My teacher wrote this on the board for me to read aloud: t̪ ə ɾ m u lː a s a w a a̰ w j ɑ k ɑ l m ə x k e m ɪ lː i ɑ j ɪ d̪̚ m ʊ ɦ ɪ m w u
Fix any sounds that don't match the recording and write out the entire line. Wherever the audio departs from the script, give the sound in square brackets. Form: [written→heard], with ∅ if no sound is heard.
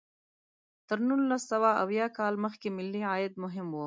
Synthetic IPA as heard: t̪ ə ɾ [m→n] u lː a s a w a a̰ w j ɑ k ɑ l m ə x k e m ɪ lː i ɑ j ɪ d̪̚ m ʊ ɦ ɪ m w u

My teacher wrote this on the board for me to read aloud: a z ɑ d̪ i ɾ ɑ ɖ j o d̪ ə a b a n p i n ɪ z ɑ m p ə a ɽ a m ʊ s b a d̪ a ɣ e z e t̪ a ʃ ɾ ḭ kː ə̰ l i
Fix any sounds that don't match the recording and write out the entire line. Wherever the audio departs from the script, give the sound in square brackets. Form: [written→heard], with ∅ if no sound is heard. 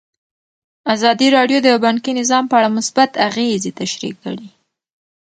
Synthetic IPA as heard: a z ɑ d̪ i ɾ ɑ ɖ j o d̪ ə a b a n [p→k] i n ɪ z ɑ m p ə a ɽ a m ʊ s b a [d̪→t̪] a ɣ e z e t̪ a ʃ ɾ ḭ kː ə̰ [l→ɽ] i

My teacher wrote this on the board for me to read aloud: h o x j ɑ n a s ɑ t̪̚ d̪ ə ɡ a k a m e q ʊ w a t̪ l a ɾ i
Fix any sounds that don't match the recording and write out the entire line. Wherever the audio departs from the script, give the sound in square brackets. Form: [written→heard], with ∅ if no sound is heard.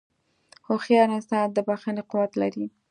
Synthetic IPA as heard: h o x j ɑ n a s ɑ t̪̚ d̪ ə [ɡ→b] a [k→x] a [m→n] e q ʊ w a t̪ l a ɾ i

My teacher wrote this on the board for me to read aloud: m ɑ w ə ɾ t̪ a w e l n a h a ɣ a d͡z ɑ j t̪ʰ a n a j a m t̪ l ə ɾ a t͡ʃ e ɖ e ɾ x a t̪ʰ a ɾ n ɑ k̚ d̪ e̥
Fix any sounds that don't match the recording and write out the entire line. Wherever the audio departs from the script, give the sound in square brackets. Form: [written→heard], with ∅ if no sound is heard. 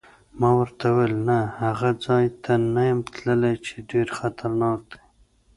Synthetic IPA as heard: m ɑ w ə ɾ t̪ a w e l n a h a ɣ a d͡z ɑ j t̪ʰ a n a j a m t̪ l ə [ɾ→l] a t͡ʃ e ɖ e ɾ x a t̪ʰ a ɾ n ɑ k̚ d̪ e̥

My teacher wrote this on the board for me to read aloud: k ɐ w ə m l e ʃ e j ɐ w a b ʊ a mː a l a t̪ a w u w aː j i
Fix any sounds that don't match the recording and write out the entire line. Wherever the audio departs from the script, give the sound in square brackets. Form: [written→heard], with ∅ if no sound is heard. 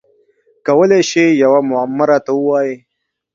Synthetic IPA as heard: k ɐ w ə [m→∅] l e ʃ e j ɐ w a [b→m] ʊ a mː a [l→ɾ] a t̪ a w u w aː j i

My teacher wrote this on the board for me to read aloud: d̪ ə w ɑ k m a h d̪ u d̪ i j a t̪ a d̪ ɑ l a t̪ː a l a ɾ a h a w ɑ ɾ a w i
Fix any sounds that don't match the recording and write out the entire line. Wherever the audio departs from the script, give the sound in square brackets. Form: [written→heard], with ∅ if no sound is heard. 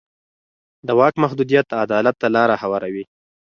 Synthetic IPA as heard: d̪ ə w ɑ k m a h d̪ u d̪ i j a t̪ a d̪ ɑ l a t̪ː a l [a→ɑ] ɾ a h a w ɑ ɾ a w i

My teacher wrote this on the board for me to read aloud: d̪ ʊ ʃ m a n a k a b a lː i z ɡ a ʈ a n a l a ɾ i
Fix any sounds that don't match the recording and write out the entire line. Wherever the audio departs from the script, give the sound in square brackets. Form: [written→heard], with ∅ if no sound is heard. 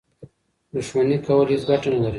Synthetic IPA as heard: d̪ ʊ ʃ m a n [a→i] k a [b→w] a [lː→l] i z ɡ a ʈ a n a l a ɾ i

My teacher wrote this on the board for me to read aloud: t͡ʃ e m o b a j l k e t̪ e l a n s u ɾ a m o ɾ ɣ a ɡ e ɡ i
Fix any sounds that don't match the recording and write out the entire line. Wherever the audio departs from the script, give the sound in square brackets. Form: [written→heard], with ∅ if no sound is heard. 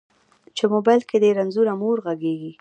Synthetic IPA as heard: t͡ʃ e m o b a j l k e [t̪→d̪] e [l→ɾ] a n [s→z] u ɾ a m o ɾ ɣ a ɡ e ɡ i

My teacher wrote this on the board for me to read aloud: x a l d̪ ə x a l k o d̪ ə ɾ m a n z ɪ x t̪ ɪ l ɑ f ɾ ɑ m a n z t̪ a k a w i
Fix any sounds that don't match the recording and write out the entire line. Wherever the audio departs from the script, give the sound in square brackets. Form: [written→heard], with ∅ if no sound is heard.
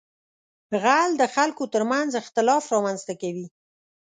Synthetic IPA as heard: [x→ɣ] a l d̪ ə x a l k o [d̪→t̪] ə ɾ m a n z ɪ x t̪ ɪ l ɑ f ɾ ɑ m a n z t̪ a k a w i

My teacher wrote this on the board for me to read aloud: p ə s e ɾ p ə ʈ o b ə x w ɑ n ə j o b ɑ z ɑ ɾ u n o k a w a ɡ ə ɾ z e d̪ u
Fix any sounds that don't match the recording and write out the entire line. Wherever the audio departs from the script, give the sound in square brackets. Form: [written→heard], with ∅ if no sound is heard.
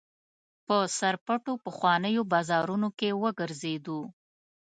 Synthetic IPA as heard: p ə s [e→a] ɾ p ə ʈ o [b→p] ə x w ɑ n ə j o b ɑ z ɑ ɾ u n o k [a→e] w [a→ə] ɡ ə ɾ z e d̪ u

